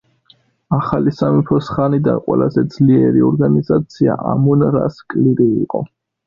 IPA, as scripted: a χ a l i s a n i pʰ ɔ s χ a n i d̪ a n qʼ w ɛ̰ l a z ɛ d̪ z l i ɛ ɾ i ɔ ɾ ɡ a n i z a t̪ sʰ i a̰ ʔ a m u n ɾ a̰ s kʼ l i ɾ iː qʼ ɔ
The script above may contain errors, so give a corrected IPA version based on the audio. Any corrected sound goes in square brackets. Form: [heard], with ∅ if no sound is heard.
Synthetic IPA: a χ a l i s a [m] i pʰ ɔ s χ a n i d̪ a n qʼ w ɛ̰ l a z ɛ d̪ z l i ɛ ɾ i ɔ ɾ ɡ a n i z a t̪ sʰ i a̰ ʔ a m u n ɾ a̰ s kʼ l i ɾ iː qʼ ɔ